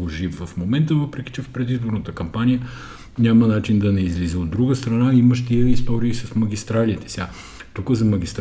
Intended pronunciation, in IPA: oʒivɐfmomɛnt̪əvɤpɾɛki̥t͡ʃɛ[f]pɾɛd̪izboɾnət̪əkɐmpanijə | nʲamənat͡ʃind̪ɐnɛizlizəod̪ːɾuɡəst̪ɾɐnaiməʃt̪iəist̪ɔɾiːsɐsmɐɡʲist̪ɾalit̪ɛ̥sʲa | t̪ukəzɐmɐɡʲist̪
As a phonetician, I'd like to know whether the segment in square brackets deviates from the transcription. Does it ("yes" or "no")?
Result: no